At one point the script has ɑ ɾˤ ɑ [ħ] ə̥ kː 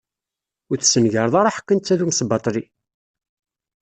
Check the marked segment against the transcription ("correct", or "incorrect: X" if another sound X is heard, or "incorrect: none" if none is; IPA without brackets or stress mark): correct